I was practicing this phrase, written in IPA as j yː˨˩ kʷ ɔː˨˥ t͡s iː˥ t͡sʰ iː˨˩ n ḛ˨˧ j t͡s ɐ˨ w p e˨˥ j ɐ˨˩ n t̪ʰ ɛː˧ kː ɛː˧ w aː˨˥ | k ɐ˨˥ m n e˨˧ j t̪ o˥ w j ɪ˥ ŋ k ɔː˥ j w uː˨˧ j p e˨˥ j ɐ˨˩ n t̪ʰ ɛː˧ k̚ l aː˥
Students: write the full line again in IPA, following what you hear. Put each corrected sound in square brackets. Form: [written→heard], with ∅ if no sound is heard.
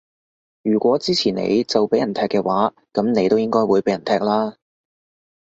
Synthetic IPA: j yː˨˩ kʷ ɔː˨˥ t͡s iː˥ t͡sʰ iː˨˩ n ḛ˨˧ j t͡s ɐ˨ w p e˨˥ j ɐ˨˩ n t̪ʰ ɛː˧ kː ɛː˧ w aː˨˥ | k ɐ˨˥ m n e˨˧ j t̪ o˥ w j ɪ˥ ŋ k ɔː˥ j w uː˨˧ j p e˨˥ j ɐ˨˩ n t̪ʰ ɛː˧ k̚ l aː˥